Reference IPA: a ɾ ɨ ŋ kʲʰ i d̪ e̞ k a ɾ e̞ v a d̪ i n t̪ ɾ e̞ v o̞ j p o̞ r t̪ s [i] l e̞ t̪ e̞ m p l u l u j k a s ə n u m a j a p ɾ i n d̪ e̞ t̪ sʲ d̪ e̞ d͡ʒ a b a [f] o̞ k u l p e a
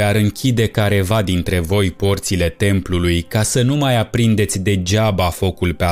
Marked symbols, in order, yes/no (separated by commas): yes, yes